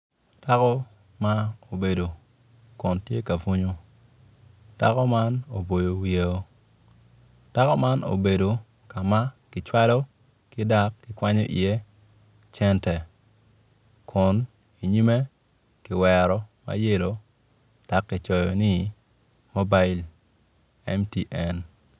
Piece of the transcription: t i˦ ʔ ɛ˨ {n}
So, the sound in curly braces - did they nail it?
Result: yes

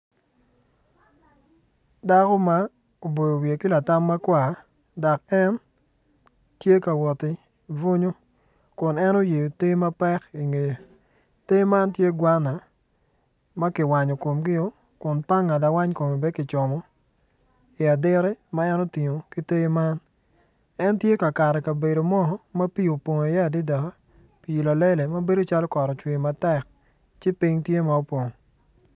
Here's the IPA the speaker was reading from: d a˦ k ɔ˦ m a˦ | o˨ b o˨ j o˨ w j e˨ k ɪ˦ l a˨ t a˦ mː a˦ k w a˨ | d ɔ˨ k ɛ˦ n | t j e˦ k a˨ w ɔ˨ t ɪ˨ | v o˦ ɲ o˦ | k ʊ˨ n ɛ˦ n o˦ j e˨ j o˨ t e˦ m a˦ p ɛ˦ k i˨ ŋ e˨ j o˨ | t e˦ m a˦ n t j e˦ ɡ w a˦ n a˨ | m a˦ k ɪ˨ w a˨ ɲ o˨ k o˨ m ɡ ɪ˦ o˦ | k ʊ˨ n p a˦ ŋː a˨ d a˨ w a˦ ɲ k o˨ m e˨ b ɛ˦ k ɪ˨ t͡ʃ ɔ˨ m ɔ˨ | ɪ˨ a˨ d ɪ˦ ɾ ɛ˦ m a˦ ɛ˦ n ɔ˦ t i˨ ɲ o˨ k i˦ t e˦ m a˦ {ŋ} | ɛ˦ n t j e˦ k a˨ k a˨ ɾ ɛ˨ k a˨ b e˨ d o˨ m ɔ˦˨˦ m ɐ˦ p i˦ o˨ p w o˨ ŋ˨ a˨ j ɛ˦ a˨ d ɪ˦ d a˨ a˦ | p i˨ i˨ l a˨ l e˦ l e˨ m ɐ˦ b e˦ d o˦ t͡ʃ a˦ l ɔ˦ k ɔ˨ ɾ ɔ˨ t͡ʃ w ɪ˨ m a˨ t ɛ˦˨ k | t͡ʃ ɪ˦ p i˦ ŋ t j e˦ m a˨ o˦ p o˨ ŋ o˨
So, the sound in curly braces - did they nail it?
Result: no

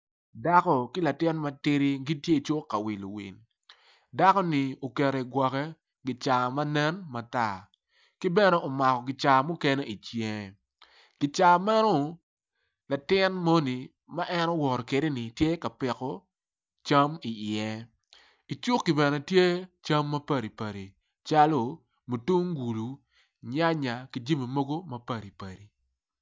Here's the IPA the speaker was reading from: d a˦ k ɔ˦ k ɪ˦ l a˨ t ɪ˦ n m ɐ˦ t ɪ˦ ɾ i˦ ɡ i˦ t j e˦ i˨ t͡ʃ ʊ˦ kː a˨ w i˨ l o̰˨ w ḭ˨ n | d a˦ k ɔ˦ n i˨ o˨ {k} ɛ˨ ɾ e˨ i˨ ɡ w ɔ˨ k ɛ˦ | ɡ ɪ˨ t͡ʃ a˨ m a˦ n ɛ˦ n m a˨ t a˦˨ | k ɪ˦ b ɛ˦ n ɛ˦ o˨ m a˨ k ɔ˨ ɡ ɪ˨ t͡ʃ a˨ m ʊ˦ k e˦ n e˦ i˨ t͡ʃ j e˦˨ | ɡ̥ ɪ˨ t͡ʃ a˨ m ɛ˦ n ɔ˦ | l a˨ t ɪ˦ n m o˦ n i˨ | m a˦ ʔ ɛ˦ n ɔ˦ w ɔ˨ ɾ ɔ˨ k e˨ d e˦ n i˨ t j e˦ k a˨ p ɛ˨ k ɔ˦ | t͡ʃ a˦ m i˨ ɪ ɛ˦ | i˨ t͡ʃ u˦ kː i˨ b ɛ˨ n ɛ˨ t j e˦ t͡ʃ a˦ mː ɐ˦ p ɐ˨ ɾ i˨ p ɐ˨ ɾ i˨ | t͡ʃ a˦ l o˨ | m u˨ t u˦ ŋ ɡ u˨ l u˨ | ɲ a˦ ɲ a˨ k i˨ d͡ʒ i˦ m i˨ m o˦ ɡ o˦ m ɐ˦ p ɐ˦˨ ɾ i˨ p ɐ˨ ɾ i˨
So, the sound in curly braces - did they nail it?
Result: yes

